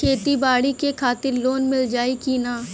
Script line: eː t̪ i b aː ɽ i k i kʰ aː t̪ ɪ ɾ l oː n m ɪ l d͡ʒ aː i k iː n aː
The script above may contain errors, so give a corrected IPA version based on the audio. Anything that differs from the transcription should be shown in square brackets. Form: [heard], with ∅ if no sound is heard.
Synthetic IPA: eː t̪ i b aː ɽ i k [e] kʰ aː t̪ ɪ ɾ l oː n m ɪ l d͡ʒ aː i k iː n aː